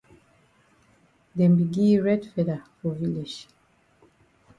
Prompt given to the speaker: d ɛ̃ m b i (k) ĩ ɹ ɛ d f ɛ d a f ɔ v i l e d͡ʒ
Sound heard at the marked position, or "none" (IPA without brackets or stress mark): ɡ